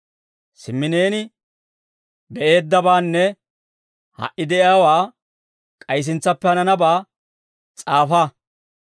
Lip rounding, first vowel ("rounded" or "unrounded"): unrounded